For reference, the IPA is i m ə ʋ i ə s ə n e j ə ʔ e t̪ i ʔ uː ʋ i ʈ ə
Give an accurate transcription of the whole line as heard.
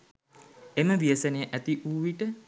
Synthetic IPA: e m ə ʋ i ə s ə n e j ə ʔ æ t̪ i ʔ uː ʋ i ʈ ə